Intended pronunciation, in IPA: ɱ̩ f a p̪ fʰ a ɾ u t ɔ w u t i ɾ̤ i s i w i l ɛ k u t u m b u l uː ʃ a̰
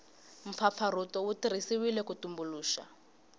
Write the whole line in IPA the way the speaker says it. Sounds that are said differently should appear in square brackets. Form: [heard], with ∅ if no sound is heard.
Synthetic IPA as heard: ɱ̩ f a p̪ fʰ a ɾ u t ɔ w u t i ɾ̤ i s i w i l ɛ k u t u m b u l uː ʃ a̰